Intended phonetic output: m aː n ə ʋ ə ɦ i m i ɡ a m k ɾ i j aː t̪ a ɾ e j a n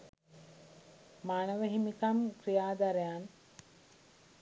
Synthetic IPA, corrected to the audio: m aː n ə ʋ ə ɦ i m i k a m k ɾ i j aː d̪ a ɾ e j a n